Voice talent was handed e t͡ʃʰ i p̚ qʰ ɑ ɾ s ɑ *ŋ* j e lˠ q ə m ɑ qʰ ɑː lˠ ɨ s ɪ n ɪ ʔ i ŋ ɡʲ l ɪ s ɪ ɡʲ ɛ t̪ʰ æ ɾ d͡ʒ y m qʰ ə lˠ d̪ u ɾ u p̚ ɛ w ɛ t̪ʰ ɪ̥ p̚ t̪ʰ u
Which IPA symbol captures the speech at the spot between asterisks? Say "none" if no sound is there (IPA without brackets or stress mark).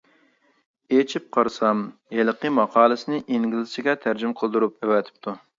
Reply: m